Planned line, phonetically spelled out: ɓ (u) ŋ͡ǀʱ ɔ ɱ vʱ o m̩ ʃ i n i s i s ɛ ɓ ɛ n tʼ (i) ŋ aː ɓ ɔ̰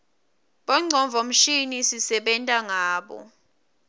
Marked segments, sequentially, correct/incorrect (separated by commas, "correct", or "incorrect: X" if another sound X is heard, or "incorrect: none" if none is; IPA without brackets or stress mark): incorrect: ɔ, incorrect: a